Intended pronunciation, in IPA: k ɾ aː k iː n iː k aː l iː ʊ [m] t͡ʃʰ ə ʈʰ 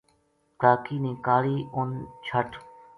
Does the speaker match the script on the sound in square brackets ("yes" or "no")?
no